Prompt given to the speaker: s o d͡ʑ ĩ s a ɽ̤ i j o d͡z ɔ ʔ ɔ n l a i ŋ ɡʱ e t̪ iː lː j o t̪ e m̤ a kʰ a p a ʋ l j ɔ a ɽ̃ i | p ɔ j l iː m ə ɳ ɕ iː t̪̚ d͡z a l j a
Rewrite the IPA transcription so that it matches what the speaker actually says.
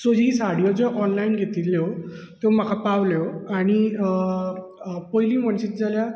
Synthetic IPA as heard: s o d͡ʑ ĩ s a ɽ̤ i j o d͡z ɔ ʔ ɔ n l a i n ɡʱ e t̪ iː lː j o t̪ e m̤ a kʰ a p a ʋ l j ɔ a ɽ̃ i | p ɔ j l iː m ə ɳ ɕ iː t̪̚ d͡z a l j a